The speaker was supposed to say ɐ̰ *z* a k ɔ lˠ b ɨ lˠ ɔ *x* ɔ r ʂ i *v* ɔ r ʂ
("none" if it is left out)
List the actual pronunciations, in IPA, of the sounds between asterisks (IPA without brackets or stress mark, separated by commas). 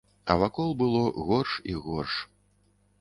v, ɣ, ɣ